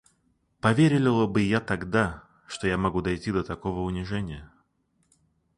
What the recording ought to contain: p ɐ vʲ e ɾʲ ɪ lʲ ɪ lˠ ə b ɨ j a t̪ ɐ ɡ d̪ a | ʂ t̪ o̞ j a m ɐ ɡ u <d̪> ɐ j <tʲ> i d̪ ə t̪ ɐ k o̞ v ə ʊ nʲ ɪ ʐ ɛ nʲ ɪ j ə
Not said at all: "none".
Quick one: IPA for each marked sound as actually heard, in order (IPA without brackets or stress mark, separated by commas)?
d̪, tʲ